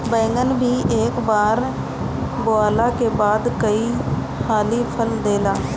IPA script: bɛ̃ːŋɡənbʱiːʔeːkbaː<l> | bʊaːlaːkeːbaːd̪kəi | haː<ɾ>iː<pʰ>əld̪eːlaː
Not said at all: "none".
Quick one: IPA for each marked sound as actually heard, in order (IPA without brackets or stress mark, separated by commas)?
ɾ, l, pʰ